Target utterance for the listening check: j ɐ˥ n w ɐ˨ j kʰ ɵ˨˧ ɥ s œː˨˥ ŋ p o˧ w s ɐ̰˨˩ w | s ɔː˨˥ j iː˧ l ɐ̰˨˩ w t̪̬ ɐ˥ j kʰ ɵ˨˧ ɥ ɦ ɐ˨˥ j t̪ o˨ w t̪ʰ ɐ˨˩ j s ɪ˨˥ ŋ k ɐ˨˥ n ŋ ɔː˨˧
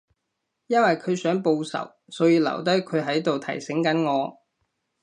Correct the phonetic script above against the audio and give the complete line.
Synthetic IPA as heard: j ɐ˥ n w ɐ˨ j kʰ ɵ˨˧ ɥ s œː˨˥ ŋ p o˧ w s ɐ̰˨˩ w | s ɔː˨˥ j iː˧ l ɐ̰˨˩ w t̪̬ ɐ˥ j kʰ ɵ˨˧ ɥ ɦ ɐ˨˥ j t̪ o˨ w t̪ʰ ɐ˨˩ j s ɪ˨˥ ŋ k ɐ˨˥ n ŋ ɔː˨˧